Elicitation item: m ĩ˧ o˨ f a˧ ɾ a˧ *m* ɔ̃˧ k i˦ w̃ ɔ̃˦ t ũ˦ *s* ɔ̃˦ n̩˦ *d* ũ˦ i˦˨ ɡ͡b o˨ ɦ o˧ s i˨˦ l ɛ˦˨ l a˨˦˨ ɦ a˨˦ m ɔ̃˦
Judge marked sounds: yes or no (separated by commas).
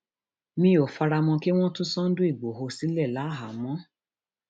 yes, yes, yes